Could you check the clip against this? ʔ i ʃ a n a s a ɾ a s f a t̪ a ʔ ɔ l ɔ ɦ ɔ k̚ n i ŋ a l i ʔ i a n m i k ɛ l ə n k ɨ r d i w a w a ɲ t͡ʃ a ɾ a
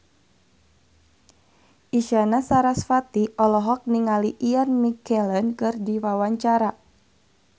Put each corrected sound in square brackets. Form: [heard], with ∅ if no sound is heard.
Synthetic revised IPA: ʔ i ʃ a n a s a ɾ a s f a t̪ [i] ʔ ɔ l ɔ ɦ ɔ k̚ n i ŋ a l i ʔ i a n m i k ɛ l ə n k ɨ r d i w a w a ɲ t͡ʃ a ɾ a